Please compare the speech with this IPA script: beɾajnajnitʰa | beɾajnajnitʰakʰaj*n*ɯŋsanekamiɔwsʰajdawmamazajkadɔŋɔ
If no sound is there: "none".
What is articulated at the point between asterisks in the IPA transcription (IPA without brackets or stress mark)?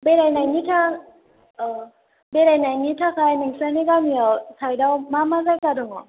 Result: n